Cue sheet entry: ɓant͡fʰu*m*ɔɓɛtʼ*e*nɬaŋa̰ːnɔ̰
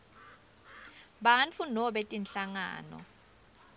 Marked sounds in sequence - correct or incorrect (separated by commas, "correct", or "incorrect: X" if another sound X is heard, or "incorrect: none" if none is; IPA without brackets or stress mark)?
incorrect: n, incorrect: i